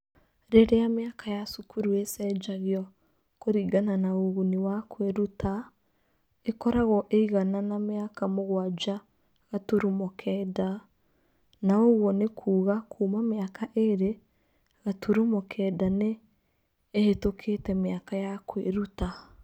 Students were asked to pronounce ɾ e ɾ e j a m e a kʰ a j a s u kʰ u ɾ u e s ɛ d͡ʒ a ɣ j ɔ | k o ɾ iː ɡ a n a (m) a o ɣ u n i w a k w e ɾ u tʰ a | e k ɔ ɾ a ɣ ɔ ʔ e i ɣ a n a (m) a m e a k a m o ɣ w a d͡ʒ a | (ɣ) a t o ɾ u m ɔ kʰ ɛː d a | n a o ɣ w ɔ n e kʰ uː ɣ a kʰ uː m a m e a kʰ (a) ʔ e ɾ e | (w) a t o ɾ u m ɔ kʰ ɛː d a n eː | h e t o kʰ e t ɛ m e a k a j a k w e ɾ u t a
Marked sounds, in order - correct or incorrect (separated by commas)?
incorrect, incorrect, correct, correct, incorrect